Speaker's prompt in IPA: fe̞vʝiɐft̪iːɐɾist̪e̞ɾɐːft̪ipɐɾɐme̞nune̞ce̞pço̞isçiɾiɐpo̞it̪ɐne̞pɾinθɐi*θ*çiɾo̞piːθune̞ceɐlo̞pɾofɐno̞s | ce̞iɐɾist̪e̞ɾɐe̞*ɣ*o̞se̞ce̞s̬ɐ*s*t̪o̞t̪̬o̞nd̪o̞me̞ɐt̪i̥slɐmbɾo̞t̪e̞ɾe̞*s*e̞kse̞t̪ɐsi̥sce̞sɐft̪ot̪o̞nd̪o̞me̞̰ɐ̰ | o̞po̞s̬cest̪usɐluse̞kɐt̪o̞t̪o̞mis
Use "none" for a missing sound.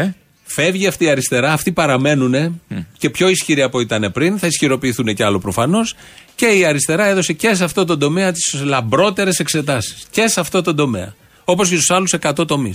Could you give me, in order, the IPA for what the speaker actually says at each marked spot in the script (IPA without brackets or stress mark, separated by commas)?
s, ð, f, s